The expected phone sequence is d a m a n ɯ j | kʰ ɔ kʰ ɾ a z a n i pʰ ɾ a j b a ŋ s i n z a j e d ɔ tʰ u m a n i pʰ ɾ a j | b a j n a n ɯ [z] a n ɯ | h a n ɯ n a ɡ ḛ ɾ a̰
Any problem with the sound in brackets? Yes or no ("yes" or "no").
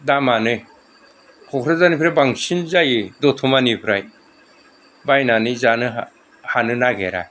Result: no